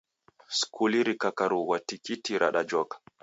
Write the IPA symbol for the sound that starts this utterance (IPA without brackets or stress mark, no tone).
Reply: s